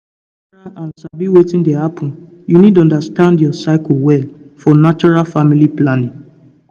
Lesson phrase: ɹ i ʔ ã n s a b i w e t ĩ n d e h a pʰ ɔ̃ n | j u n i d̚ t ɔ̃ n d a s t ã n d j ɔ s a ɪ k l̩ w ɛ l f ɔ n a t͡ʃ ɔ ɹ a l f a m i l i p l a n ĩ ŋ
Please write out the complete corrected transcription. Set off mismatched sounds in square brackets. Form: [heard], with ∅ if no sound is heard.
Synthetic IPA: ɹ [a] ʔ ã n s a b i w e t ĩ n d e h a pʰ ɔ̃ n | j u n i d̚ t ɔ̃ n d a s t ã n d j ɔ s a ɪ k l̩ w ɛ l f ɔ n a t͡ʃ ɔ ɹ a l f a m i l i p l a n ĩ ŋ